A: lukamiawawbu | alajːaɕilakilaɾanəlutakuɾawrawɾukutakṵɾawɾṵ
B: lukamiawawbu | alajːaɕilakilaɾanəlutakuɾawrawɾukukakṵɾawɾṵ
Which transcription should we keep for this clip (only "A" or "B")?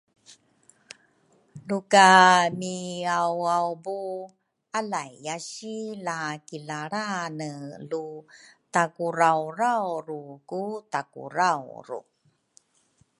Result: A